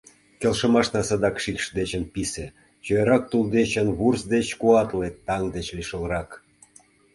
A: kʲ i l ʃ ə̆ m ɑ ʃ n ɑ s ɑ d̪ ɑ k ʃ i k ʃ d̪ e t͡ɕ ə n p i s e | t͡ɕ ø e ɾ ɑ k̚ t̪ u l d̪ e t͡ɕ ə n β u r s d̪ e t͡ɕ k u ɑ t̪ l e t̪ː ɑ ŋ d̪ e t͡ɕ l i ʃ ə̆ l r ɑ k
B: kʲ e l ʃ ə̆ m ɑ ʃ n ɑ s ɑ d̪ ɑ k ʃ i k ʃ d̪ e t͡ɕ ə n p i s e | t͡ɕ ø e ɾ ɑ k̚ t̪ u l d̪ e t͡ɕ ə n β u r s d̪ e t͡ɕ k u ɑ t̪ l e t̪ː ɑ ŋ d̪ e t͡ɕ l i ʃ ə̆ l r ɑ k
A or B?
B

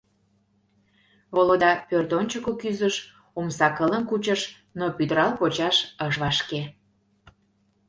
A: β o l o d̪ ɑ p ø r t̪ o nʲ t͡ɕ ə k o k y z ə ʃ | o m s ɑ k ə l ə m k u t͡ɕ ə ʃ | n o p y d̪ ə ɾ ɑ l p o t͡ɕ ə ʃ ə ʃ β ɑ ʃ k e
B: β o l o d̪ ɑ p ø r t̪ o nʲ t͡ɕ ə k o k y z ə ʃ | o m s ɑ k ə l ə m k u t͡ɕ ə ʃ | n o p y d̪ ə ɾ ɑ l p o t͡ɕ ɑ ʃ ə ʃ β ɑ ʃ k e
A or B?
B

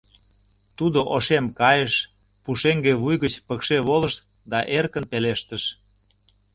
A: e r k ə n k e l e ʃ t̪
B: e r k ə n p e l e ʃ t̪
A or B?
B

